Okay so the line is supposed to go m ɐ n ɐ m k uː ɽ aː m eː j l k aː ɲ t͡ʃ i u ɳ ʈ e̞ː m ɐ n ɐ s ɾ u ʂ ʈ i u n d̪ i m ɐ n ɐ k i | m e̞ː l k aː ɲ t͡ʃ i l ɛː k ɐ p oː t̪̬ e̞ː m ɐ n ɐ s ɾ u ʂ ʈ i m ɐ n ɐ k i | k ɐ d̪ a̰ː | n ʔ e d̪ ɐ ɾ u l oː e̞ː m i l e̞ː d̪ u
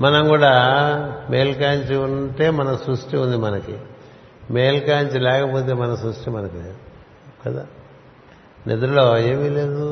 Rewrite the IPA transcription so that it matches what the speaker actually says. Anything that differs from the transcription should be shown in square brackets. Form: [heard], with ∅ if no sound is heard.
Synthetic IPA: m ɐ n ɐ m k uː ɽ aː m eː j l k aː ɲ t͡ʃ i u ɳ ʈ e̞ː m ɐ n ɐ s ɾ u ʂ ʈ i u n d̪ i m ɐ n ɐ k i | m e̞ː l k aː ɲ t͡ʃ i l ɛː k ɐ p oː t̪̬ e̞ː m ɐ n ɐ s ɾ u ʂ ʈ i m ɐ n ɐ k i | k ɐ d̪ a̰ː | n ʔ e d̪ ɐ ɾ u l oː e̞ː m i l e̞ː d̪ u